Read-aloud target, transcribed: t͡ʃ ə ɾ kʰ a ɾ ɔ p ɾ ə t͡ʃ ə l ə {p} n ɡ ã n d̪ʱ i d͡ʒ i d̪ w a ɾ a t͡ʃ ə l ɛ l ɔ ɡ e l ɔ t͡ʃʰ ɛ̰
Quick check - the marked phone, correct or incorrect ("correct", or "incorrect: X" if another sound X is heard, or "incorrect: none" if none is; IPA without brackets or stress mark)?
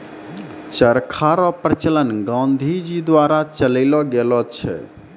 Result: incorrect: none